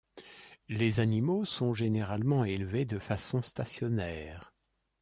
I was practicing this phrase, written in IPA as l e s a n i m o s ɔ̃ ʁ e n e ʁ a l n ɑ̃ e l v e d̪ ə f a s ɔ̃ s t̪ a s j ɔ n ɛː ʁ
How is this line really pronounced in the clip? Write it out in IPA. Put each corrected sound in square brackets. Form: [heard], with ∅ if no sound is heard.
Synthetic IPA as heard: l e [z] a n i m o s ɔ̃ [ʒ] e n e ʁ a l [m] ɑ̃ e l v e d̪ ə f a s ɔ̃ s t̪ a s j ɔ n ɛː ʁ